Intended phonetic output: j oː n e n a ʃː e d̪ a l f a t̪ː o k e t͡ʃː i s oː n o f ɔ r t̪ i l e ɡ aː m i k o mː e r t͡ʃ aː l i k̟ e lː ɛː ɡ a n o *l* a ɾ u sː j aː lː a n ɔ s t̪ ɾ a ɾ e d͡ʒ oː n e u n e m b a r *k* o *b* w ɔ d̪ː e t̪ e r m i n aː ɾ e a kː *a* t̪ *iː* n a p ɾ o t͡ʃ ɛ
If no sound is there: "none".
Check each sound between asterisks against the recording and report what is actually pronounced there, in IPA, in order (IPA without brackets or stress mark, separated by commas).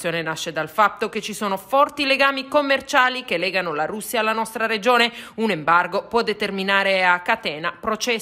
l, ɡ, p, a, ɛː